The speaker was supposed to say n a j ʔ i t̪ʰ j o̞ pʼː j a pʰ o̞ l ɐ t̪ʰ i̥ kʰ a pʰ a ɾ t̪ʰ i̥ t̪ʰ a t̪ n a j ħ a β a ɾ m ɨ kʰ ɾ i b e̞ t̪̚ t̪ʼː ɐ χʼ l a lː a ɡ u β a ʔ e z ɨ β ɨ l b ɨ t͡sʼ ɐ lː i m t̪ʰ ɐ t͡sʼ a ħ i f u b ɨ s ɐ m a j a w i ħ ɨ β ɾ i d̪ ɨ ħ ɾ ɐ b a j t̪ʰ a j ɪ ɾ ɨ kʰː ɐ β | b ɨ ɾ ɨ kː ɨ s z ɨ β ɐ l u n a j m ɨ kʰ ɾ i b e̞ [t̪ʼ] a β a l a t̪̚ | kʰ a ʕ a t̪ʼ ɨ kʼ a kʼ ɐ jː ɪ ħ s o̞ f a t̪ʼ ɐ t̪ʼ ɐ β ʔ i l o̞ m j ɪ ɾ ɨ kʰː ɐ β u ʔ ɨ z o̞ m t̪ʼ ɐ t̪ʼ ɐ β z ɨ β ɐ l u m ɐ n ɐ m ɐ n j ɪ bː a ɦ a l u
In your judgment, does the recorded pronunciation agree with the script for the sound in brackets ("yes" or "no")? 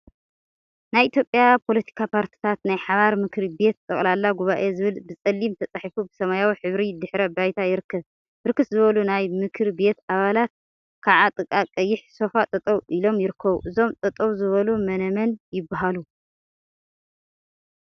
no